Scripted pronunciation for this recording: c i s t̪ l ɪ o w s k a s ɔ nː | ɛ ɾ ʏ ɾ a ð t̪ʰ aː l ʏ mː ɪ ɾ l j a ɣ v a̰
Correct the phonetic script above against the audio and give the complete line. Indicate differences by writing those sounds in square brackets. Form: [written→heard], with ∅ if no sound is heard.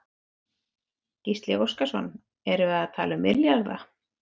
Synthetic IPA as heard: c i s t̪ l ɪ o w s k a s ɔ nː | ɛ ɾ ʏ [ɾ→∅] a ð t̪ʰ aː l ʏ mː ɪ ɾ l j a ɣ [v→ð] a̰